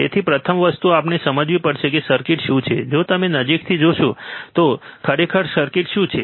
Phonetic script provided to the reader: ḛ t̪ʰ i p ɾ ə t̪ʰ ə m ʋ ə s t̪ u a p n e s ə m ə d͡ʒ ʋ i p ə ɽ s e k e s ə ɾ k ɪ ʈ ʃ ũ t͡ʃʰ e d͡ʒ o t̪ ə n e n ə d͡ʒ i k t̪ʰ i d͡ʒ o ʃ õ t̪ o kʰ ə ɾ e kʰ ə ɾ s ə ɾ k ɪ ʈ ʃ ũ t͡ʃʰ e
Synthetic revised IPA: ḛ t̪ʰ i p ɾ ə t̪ʰ ə m ʋ ə s t̪ u a p n e s ə m ə d͡ʒ ʋ i p ə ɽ ʃ e k e s ə ɾ k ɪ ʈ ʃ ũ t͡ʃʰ e d͡ʒ o t̪ ə m e n ə d͡ʒ i k t̪ʰ i d͡ʒ o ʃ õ t̪ o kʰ ə ɾ e kʰ ə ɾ s ə ɾ k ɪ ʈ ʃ ũ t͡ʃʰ e